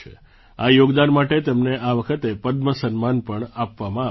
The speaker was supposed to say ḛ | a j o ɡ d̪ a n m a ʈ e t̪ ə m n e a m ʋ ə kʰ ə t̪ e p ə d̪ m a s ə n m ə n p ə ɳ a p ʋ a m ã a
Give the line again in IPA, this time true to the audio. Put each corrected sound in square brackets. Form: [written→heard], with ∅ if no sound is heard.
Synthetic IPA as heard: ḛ | a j o ɡ d̪ a n m a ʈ e t̪ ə m n e a [m→∅] ʋ ə kʰ ə t̪ e p ə d̪ m [a→ə] s ə n m [ə→a] n p ə ɳ a p ʋ a m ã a